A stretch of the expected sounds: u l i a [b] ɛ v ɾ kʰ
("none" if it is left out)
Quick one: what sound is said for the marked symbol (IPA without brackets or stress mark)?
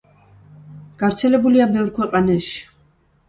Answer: b